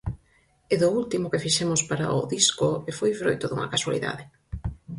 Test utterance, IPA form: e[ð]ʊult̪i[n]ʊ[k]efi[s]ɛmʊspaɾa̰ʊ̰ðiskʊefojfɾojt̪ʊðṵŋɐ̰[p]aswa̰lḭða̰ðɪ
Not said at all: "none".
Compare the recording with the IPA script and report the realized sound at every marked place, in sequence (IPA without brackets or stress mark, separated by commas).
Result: ð, m, k, ʃ, k